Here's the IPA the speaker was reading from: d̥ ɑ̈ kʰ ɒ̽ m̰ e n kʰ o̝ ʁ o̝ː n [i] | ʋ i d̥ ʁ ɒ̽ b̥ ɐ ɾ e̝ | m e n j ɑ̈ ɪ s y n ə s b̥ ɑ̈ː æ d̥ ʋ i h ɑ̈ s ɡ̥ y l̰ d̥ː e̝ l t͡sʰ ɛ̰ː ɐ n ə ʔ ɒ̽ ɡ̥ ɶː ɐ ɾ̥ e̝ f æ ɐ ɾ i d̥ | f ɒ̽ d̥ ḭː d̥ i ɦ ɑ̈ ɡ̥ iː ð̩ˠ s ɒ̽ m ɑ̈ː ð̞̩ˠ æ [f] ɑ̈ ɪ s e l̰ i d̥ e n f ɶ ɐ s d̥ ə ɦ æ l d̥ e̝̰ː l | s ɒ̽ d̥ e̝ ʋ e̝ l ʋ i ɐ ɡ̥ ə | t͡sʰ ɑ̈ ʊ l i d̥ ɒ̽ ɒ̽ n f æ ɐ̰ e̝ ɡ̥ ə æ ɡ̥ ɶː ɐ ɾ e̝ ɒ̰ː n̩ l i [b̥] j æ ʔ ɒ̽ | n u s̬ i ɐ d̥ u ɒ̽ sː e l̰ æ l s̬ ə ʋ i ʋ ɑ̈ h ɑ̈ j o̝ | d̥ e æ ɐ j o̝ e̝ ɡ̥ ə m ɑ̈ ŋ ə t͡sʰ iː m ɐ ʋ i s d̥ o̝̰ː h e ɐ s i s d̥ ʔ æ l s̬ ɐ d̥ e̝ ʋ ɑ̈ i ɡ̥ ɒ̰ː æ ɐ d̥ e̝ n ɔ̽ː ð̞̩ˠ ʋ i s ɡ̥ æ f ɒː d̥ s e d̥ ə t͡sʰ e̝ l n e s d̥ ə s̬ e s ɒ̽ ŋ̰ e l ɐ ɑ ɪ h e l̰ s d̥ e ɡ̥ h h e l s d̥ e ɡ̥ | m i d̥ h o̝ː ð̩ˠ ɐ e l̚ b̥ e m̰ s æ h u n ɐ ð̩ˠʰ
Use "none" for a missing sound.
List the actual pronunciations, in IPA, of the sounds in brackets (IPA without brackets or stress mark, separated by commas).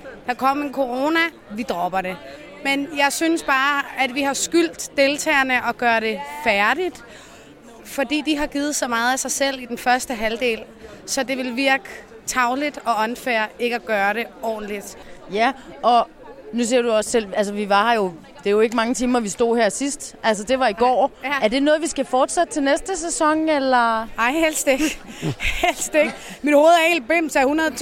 æ, s, d̥